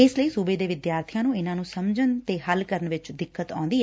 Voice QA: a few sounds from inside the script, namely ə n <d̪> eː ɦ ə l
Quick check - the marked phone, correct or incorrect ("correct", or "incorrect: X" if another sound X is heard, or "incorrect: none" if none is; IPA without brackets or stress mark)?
incorrect: t̪